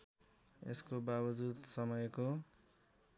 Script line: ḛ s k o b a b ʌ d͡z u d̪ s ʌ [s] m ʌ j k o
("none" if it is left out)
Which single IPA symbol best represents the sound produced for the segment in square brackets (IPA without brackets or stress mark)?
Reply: none